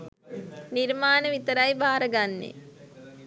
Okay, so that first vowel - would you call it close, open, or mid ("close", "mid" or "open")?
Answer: close